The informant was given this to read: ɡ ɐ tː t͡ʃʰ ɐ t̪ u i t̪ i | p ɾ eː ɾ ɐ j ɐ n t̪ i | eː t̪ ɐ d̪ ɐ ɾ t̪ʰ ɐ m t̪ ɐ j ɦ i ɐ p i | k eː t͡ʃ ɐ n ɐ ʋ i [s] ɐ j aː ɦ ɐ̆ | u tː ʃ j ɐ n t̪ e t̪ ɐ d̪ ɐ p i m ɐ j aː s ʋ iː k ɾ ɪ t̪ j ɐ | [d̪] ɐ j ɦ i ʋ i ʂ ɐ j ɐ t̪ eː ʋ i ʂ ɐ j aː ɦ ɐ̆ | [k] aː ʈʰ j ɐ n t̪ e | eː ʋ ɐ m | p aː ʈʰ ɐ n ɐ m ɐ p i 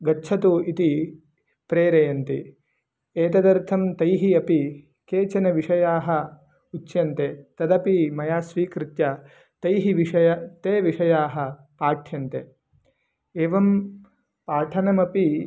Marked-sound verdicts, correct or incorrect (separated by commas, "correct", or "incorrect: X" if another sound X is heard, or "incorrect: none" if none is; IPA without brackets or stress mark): incorrect: ʂ, incorrect: t̪, incorrect: p